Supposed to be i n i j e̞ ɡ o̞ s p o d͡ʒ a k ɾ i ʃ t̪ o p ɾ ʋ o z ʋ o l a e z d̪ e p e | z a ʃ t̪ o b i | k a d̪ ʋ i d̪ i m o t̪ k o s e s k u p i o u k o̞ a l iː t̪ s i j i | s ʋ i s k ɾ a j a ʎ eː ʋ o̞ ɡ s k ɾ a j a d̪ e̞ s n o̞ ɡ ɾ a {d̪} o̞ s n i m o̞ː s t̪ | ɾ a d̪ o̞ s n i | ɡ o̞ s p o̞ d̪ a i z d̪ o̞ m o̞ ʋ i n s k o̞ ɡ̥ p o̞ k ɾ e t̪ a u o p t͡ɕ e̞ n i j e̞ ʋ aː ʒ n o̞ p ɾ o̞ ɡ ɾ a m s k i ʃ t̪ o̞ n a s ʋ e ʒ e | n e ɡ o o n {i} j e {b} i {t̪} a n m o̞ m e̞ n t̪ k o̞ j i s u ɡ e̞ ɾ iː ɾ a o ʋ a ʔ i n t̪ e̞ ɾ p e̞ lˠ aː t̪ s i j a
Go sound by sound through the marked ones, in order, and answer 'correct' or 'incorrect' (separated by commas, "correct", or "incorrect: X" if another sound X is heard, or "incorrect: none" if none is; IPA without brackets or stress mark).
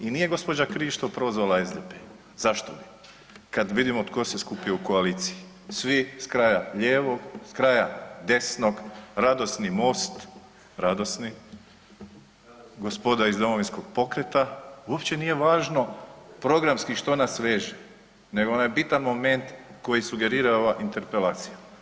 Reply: correct, incorrect: a, correct, correct